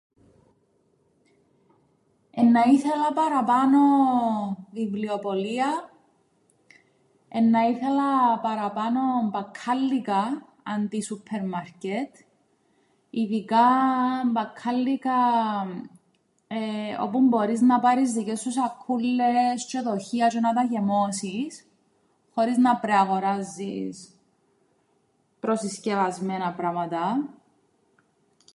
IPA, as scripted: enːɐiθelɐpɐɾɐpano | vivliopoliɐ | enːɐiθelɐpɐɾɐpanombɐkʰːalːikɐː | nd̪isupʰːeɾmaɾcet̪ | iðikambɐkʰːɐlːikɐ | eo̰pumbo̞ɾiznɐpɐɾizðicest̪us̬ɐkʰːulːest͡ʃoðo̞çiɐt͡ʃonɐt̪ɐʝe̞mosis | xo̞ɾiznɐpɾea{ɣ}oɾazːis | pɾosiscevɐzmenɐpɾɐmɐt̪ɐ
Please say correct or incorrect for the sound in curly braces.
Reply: correct